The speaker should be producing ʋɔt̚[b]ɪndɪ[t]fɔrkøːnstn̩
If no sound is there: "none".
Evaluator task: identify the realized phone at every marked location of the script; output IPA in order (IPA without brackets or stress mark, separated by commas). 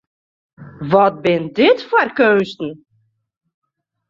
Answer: b, t